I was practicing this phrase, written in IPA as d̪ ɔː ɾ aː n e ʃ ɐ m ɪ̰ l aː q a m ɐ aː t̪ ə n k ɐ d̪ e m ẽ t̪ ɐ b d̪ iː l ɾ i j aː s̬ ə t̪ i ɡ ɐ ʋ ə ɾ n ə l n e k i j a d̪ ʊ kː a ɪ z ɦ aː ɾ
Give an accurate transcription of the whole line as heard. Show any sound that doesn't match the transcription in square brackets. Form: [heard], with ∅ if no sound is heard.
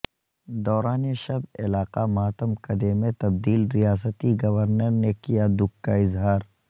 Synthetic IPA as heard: d̪ ɔː ɾ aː n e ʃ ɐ [b] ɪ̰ l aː q a m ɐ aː t̪ ə [m] k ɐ d̪ e m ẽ t̪ ɐ b d̪ iː l ɾ i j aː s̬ ə t̪ i ɡ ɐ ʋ ə ɾ n ə [ɾ] n e k i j a d̪ ʊ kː a ɪ z ɦ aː ɾ